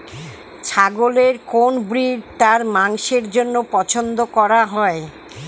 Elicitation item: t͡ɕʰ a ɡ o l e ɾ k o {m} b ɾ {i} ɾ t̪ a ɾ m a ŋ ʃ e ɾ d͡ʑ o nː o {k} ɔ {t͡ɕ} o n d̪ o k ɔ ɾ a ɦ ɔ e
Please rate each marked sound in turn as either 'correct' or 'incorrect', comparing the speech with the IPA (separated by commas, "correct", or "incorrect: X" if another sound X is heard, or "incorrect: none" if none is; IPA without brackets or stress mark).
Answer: incorrect: n, correct, incorrect: p, incorrect: t͡ɕʰ